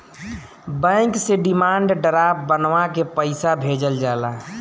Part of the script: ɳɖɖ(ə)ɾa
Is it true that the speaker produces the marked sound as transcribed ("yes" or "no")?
yes